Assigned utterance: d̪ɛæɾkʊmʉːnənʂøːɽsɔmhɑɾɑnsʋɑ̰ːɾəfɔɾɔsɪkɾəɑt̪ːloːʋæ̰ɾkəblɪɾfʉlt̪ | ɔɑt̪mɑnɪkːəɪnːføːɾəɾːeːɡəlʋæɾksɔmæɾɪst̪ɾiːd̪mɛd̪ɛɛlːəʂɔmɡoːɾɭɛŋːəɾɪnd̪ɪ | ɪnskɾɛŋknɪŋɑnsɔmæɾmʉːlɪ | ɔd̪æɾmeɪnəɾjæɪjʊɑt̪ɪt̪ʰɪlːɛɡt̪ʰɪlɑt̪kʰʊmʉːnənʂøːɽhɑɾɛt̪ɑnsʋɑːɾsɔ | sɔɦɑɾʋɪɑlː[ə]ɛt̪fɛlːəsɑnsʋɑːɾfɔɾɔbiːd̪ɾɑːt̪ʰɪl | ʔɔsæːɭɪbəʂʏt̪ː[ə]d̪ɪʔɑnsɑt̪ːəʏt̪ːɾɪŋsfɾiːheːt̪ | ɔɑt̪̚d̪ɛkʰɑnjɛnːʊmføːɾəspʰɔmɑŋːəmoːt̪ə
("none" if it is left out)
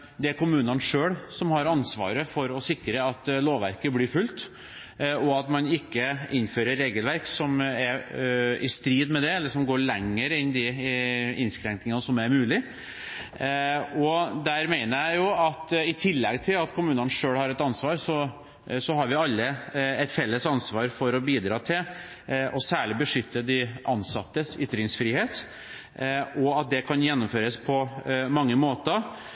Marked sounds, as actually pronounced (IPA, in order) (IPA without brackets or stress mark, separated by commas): ə, ə